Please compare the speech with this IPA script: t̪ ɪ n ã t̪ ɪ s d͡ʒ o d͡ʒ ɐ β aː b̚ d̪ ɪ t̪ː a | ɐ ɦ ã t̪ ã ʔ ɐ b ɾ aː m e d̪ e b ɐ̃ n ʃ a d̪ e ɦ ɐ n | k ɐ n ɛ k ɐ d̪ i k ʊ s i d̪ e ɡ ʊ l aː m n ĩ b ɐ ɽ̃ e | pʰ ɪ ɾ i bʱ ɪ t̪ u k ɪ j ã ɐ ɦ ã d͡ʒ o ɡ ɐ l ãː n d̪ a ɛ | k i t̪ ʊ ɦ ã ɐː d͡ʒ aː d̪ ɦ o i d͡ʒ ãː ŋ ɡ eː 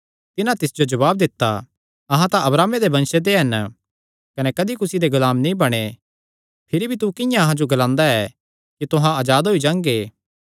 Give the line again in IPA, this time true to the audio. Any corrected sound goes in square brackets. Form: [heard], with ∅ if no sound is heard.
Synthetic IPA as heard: t̪ ɪ n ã t̪ ɪ s d͡ʒ o d͡ʒ ɐ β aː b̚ d̪ ɪ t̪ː a | ɐ ɦ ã t̪ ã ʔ ɐ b ɾ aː m e d̪ e b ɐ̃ n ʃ [e] d̪ e ɦ ɐ n | k ɐ n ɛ k ɐ d̪ i k ʊ s i d̪ e ɡ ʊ l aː m n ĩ b ɐ ɽ̃ e | pʰ ɪ ɾ i bʱ [i] t̪ u k ɪ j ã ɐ ɦ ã d͡ʒ o ɡ ɐ l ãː n d̪ a ɛ | k i t̪ ʊ ɦ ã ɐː d͡ʒ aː d̪ ɦ o i d͡ʒ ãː ŋ ɡ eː